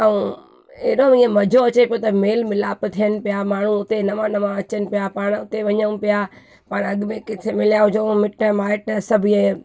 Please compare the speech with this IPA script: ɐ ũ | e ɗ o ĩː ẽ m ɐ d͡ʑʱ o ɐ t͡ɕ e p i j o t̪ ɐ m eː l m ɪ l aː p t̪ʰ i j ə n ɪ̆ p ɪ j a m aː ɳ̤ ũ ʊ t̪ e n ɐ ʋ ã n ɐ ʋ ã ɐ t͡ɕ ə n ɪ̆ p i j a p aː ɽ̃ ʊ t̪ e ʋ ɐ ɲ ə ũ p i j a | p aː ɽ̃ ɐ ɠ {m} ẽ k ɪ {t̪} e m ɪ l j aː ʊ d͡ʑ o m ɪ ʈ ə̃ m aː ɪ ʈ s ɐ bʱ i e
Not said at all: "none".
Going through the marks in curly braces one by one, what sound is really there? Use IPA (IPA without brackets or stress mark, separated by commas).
m, t̪ʰ